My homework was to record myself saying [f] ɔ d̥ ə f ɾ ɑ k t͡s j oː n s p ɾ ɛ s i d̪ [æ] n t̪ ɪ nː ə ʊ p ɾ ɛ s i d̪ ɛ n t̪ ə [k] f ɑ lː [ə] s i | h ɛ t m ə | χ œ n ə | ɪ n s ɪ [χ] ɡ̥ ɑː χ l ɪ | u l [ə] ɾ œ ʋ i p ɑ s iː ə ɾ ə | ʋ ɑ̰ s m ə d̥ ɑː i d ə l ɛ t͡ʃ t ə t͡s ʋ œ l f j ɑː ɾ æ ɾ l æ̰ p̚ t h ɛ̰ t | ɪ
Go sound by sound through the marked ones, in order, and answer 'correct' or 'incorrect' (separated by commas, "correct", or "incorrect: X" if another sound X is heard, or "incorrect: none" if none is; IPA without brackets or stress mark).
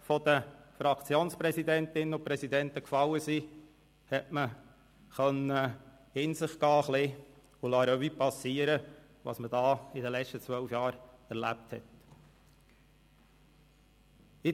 correct, incorrect: ɛ, correct, correct, correct, incorrect: ɑ